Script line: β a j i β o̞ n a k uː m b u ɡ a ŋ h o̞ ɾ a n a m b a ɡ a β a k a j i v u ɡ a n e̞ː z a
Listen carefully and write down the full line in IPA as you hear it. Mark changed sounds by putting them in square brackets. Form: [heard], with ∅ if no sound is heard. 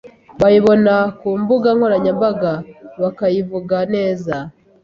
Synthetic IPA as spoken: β a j i β o̞ n a k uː m b u ɡ a ŋ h o̞ ɾ a [ɲ] a m b a ɡ a β a k a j i v u ɡ a n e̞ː z a